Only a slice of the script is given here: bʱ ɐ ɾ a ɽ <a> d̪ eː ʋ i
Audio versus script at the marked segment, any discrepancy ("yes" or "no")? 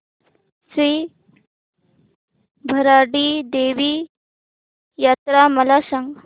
yes